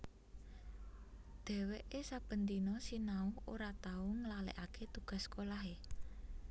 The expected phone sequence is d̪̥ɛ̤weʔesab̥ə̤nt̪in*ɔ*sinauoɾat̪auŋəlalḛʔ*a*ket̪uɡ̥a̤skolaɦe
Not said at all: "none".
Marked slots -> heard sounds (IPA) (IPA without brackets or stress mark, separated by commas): ɔ, a